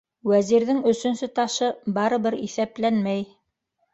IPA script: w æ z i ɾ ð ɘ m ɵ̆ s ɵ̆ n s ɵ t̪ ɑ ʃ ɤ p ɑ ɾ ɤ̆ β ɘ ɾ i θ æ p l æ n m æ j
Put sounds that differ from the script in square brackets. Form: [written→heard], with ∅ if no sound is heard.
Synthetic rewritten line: w æ z i ɾ ð ɘ [m→ŋ] ɵ̆ s ɵ̆ n s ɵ t̪ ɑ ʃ ɤ [p→b] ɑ ɾ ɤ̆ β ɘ ɾ i θ æ p l æ n m æ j

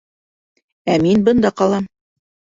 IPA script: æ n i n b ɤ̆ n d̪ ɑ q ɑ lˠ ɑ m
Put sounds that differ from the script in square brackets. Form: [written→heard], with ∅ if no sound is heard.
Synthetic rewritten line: æ [n→m] i n b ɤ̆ n d̪ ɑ q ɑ lˠ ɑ m

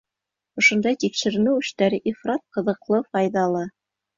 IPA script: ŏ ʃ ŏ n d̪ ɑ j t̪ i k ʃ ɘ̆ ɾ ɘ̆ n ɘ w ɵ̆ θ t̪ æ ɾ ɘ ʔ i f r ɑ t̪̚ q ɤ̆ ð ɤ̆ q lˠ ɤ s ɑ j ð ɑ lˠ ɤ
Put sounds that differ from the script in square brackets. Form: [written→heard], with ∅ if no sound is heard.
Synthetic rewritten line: ŏ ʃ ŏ n d̪ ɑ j t̪ i k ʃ ɘ̆ ɾ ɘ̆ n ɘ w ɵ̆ [θ→ʃ] t̪ æ ɾ ɘ ʔ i f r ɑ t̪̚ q ɤ̆ ð ɤ̆ q lˠ ɤ [s→f] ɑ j ð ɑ lˠ ɤ

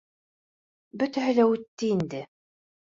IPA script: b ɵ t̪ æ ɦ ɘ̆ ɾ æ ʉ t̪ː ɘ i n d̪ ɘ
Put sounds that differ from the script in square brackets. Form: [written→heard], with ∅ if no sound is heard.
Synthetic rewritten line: b ɵ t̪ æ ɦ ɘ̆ [ɾ→l] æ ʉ t̪ː ɘ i n d̪ ɘ

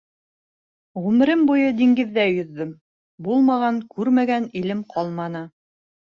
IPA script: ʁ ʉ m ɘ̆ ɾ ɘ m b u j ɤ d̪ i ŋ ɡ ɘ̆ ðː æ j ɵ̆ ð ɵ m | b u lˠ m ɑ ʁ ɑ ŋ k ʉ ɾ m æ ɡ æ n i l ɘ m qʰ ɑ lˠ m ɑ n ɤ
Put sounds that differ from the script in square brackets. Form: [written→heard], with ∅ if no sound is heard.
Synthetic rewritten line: ʁ ʉ m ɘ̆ ɾ ɘ m b u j ɤ d̪ i ŋ ɡ ɘ̆ ðː æ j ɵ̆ [ð→ðː] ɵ m | b u lˠ m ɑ ʁ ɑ ŋ k ʉ ɾ m æ ɡ æ n i l ɘ m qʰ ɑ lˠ m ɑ n ɤ

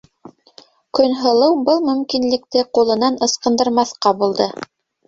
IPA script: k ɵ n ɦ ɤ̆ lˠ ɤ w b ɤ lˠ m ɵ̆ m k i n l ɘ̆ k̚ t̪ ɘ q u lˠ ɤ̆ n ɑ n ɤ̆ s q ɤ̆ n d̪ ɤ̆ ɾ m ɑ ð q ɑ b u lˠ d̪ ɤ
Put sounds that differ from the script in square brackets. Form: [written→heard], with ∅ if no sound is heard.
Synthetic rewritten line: k ɵ n ɦ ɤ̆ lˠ ɤ w b ɤ lˠ m ɵ̆ m k i n l ɘ̆ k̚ t̪ ɘ q u lˠ ɤ̆ n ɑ n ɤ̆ s q ɤ̆ n d̪ ɤ̆ ɾ m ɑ [ð→θ] q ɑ b u lˠ d̪ ɤ

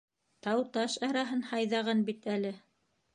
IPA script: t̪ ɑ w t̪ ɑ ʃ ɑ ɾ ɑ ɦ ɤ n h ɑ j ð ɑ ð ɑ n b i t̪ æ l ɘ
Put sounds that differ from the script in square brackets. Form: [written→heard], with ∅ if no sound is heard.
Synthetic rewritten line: t̪ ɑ w t̪ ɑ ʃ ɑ ɾ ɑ ɦ ɤ n h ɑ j ð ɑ [ð→ʁ] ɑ n b i t̪ æ l ɘ

